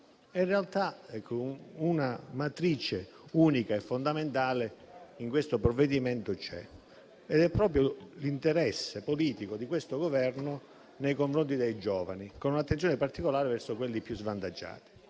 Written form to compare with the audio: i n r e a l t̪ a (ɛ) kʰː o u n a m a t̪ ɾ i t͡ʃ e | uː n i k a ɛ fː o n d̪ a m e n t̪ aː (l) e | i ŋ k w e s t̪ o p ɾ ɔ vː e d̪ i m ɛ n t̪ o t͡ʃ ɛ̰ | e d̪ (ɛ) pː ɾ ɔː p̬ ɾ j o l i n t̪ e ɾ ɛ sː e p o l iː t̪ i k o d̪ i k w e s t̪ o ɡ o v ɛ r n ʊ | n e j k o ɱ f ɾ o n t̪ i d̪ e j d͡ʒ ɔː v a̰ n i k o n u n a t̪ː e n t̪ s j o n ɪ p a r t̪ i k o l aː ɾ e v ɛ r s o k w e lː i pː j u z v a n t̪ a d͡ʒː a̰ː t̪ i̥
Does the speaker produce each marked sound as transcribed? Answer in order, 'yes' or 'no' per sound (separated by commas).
yes, yes, yes